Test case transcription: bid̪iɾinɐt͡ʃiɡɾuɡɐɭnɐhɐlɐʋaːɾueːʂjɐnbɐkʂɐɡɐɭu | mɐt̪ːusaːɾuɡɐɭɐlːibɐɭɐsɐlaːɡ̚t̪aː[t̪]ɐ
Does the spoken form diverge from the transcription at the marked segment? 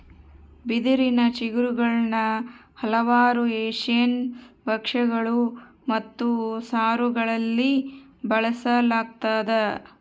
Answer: yes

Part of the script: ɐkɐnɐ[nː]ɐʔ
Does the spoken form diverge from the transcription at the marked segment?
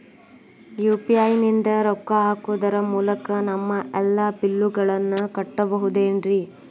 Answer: yes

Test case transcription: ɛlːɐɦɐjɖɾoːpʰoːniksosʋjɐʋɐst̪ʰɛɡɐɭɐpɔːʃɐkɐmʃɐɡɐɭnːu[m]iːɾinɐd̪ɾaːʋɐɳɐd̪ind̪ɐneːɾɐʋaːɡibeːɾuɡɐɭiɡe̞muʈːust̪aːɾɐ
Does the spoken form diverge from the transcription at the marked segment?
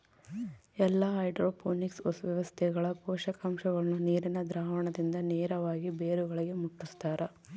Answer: yes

